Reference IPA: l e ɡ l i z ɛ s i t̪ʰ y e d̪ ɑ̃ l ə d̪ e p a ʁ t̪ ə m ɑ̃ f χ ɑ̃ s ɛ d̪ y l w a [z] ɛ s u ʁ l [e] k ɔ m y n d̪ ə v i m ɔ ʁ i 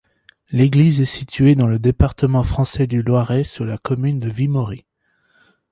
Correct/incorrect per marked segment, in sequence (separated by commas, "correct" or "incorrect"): incorrect, incorrect